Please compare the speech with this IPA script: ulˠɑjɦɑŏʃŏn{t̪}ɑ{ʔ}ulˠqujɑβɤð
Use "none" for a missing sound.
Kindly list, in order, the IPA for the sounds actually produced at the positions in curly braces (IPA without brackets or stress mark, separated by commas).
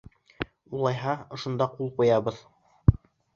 d̪, q